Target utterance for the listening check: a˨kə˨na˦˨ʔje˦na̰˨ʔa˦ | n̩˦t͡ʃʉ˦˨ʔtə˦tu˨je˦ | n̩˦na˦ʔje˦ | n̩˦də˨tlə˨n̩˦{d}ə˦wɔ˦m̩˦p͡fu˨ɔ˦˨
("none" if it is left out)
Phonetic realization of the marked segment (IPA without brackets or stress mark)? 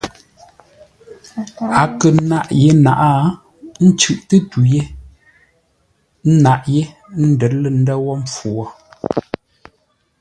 d